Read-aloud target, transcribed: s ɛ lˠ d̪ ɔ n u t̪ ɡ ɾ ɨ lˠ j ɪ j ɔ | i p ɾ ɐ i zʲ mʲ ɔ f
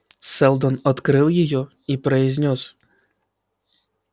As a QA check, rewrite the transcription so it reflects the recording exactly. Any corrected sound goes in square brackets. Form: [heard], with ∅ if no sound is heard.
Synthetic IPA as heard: s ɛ lˠ d̪ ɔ n [ɔ] t̪ [k] ɾ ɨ lˠ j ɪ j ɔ | i p ɾ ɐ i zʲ [nʲ] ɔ [s]